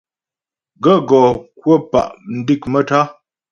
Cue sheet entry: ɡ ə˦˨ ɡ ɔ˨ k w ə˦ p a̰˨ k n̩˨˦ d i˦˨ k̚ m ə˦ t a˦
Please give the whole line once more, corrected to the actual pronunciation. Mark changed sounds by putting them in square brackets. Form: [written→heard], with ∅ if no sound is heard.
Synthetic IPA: ɡ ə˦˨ ɡ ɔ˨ k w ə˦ p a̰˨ [k→ʔ] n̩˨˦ d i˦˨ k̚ m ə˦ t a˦